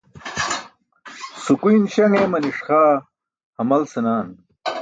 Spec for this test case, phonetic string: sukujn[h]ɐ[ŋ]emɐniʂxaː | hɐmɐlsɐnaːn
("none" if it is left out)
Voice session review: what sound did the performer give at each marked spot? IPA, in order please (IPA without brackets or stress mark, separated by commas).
ɕ, ŋ